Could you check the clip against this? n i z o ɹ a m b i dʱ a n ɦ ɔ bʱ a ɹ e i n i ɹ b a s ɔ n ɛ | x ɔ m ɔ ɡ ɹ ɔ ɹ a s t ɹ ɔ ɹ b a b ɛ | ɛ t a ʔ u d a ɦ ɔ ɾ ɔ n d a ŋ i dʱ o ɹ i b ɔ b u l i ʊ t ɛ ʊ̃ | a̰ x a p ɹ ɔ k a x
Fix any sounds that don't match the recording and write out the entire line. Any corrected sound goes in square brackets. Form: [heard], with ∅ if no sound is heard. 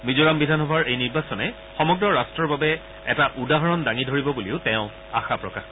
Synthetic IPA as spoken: [m] i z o ɹ a m b i dʱ a n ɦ ɔ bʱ a ɹ e [j] n i ɹ b a s ɔ n ɛ | x ɔ m ɔ ɡ ɹ ɔ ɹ a s t ɹ ɔ ɹ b a b ɛ | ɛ t a ʔ u d a ɦ ɔ [ɹ] ɔ n d a ŋ i dʱ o ɹ i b ɔ b u l i ʊ t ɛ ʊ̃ | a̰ x a p ɹ ɔ k a x

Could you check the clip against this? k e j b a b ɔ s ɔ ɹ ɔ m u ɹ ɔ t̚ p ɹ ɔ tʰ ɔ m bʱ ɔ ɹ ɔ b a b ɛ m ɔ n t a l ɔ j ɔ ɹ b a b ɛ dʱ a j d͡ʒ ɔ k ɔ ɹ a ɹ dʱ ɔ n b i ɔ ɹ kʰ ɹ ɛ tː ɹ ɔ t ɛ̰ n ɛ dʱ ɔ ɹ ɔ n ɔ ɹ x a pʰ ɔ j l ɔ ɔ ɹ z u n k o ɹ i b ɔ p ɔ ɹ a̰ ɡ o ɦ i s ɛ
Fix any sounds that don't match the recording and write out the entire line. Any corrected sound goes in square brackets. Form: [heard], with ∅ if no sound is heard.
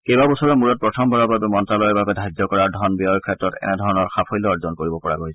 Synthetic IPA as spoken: k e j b a b ɔ s ɔ ɹ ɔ m u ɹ ɔ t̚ p ɹ ɔ tʰ ɔ m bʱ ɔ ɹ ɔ b a b ɛ m ɔ n t a l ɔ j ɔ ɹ b a b ɛ dʱ a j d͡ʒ ɔ k ɔ ɹ a ɹ dʱ ɔ n b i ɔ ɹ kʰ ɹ ɛ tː ɹ ɔ t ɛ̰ n ɛ dʱ ɔ ɹ ɔ n ɔ ɹ x a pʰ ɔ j l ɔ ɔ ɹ z [ɔ] n k o ɹ i b ɔ p ɔ ɹ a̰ ɡ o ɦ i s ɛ

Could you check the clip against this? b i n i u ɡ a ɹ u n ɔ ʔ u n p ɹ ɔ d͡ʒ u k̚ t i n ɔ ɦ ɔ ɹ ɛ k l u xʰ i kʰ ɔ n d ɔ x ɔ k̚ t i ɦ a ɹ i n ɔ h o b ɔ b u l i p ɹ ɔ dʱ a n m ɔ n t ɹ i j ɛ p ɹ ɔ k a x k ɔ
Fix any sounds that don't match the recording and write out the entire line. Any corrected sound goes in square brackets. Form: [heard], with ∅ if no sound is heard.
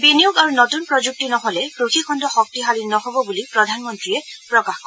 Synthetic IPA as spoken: b i n i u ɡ a ɹ u n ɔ [t] u n p ɹ ɔ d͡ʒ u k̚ t i n ɔ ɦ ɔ [l] ɛ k [ɹ] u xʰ i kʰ ɔ n d ɔ x ɔ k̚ t i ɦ a [l] i n ɔ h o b ɔ b u l i p ɹ ɔ dʱ a n m ɔ n t ɹ i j ɛ p ɹ ɔ k a x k ɔ

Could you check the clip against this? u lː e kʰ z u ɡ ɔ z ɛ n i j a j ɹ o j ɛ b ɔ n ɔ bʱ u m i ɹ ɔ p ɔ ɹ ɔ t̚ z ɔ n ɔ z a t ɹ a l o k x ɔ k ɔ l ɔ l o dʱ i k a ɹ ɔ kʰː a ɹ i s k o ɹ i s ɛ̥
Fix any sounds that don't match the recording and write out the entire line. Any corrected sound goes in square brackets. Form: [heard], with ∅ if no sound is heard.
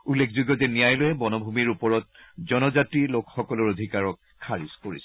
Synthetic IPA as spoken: u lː e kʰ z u ɡ ɔ z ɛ n i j a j [l] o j ɛ b ɔ n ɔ bʱ u m i ɹ [u] p ɔ ɹ ɔ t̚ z ɔ n ɔ z a t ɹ [i] l o k x ɔ k ɔ l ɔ [ɹ] o dʱ i k a ɹ ɔ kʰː a ɹ i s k o ɹ i s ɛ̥

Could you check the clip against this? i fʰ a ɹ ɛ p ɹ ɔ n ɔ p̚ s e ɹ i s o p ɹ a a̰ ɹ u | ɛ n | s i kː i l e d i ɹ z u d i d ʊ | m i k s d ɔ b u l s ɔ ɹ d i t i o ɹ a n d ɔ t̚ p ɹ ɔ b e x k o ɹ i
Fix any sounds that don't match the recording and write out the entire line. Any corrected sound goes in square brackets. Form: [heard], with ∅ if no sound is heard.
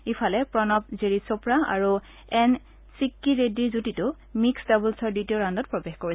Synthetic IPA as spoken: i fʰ a [l] ɛ p ɹ ɔ n ɔ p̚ [z] e ɹ i s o p ɹ a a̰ ɹ u | ɛ n | s i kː i [ɹ] e d i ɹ z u [t] i [t] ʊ | m i k s d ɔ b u l s ɔ ɹ d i t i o ɹ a n d ɔ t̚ p ɹ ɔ b e x k o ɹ i

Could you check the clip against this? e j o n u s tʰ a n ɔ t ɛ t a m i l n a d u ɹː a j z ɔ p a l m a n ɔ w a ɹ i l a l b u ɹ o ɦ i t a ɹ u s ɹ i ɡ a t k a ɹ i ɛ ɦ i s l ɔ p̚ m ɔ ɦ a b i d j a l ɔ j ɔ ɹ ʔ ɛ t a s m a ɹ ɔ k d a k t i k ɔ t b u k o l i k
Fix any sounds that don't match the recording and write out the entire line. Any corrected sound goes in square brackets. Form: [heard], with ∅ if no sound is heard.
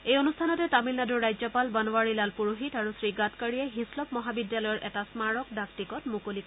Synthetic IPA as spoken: e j o n u s tʰ a n ɔ t ɛ t a m i l n a d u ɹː a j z ɔ p a l [b] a n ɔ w a ɹ i l a l [p] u ɹ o ɦ i t a ɹ u s ɹ i ɡ a t k a ɹ i ɛ ɦ i s l ɔ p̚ m ɔ ɦ a b i d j a l ɔ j ɔ ɹ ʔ ɛ t a s m a ɹ ɔ k d a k t i k ɔ t [m] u k o l i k

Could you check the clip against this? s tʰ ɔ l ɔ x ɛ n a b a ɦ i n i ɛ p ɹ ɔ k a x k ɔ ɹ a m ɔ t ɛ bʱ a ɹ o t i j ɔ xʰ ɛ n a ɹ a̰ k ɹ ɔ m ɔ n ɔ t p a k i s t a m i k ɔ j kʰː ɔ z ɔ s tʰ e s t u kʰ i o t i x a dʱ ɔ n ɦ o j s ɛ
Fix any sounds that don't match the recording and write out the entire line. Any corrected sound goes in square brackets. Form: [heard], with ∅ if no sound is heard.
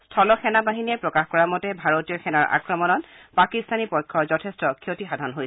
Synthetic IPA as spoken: s tʰ ɔ l ɔ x ɛ n a b a ɦ i n i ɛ p ɹ ɔ k a x k ɔ ɹ a m ɔ t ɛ bʱ a ɹ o t i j ɔ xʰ ɛ n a ɹ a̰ k ɹ ɔ m ɔ n ɔ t p a k i s t a [n] i [p] ɔ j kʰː ɔ z ɔ [∅] tʰ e s t [ɔ] kʰ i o t i x a dʱ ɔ n ɦ o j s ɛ

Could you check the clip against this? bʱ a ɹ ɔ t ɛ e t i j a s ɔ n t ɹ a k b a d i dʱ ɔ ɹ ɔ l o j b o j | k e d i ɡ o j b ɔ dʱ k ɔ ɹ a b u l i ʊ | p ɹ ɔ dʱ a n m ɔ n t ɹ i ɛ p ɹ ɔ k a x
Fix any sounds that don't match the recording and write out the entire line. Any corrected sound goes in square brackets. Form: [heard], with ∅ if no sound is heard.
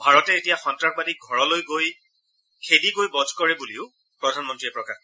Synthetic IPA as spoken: bʱ a ɹ ɔ t ɛ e t i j a [x] ɔ n t ɹ a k b a d i [ɡʱ] ɔ ɹ ɔ l o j [ɡ] o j | [kʰ] e d i ɡ o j b ɔ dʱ k ɔ ɹ [ɛ] b u l i ʊ | p ɹ ɔ dʱ a n m ɔ n t ɹ i ɛ p ɹ ɔ k a x

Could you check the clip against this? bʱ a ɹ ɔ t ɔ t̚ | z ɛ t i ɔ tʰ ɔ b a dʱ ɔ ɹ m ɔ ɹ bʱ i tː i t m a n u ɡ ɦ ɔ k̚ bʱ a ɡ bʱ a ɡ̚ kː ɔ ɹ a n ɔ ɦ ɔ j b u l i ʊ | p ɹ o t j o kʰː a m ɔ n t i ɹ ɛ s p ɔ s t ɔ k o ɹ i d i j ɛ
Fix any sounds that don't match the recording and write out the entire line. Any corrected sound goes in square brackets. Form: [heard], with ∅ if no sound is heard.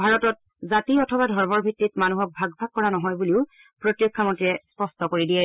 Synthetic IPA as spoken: bʱ a ɹ ɔ t ɔ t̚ | z [a] t i ɔ tʰ ɔ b a dʱ ɔ ɹ m ɔ ɹ bʱ i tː i t m a n u [∅] ɦ ɔ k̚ bʱ a ɡ bʱ a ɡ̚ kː ɔ ɹ a n ɔ ɦ ɔ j b u l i ʊ | p ɹ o t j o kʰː a m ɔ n t i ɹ ɛ s p ɔ s t ɔ k o ɹ i d i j ɛ

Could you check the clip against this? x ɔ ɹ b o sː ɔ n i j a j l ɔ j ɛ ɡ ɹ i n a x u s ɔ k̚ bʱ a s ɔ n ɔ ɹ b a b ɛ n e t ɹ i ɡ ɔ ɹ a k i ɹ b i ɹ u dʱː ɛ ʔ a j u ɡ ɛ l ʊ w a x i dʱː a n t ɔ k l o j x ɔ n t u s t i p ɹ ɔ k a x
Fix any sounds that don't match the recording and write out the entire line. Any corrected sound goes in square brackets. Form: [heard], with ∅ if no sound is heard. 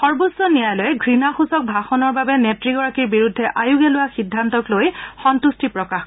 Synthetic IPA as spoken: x ɔ ɹ b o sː ɔ n i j a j l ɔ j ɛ ɡ ɹ i n a x u s ɔ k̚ bʱ a [x] ɔ n ɔ ɹ b a b ɛ n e t ɹ i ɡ ɔ ɹ a k i ɹ b i ɹ u dʱː ɛ ʔ a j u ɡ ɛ l ʊ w a x i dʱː a n t ɔ k l o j x ɔ n t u s t i p ɹ ɔ k a x

